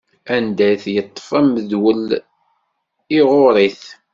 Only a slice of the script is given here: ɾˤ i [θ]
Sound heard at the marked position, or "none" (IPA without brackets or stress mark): θ